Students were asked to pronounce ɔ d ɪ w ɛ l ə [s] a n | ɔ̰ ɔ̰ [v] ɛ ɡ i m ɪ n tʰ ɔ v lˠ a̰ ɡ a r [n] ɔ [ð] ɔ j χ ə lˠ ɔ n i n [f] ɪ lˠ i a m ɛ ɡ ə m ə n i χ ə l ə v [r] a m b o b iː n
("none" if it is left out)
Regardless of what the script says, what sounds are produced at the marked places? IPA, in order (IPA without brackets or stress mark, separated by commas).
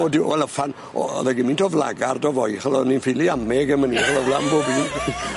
f, ð, d, v, f, l